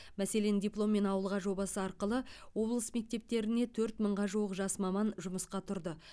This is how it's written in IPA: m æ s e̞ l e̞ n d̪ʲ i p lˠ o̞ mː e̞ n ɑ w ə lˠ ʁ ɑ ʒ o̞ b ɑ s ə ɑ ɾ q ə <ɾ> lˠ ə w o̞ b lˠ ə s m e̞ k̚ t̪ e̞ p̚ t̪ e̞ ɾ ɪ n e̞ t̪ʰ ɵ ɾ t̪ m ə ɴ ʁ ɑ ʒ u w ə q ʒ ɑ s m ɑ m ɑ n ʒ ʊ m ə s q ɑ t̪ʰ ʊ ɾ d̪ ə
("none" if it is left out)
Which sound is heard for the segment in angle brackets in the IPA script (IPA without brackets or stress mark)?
none